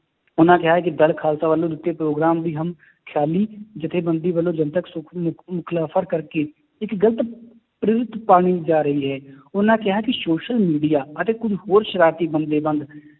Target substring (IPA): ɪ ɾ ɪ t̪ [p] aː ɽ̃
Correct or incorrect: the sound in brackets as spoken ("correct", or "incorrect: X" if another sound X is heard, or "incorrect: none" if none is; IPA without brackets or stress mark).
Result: correct